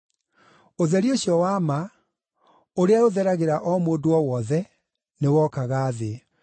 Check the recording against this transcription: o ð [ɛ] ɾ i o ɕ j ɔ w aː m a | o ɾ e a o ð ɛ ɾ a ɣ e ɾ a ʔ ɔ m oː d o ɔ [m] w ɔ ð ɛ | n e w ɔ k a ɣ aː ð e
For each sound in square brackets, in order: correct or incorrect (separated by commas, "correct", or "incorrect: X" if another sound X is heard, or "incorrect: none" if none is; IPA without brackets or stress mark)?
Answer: correct, incorrect: none